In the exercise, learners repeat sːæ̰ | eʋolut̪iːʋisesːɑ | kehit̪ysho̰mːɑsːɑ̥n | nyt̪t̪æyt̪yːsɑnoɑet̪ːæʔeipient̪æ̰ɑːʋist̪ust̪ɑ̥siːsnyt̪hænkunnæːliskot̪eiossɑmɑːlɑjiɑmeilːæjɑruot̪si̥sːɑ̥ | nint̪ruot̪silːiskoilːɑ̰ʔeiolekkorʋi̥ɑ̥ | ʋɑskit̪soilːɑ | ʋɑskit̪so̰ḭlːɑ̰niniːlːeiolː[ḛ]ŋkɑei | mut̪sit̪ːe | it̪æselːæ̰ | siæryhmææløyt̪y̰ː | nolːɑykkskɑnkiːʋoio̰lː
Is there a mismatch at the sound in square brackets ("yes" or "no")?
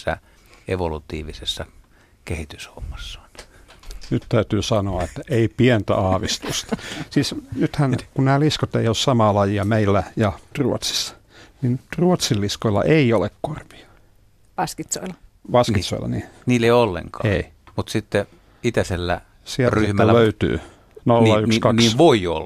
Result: no